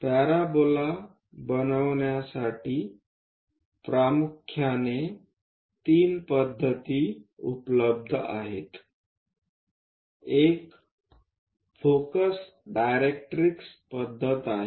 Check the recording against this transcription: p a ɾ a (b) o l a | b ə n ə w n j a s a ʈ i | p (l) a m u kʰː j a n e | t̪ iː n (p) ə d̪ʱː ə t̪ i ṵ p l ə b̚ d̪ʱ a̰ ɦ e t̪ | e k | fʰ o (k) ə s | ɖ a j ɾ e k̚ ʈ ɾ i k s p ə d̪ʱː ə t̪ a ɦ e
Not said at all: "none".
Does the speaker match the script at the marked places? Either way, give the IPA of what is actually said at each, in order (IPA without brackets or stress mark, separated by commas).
b, ɾ, p, k